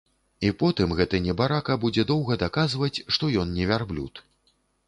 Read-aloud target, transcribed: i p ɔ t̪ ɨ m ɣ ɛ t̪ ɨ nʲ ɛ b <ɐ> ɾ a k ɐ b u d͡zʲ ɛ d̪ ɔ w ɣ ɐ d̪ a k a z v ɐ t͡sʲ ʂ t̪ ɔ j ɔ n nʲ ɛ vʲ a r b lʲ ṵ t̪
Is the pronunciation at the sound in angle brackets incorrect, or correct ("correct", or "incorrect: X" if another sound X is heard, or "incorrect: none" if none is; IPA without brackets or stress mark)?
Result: incorrect: a